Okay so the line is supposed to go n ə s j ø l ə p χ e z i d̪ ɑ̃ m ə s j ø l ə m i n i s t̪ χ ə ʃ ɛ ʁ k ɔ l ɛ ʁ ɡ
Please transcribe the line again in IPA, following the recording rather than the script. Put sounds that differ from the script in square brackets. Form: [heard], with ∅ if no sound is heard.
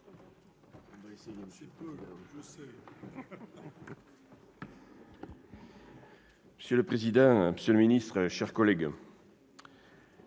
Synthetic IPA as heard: [m] ə s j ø l ə p χ e z i d̪ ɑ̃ m ə s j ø l ə m i n i s t̪ χ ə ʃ ɛ ʁ k ɔ l ɛ [∅] ɡ